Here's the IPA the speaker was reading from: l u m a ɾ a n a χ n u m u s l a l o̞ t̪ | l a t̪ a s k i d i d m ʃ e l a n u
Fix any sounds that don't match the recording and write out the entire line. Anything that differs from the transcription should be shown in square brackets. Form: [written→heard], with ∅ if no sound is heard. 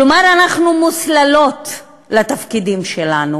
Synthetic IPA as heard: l [u→o] m a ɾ a n a χ n u m u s l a l o̞ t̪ | l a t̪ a [s→f] k i d i [d→∅] m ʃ e l a n u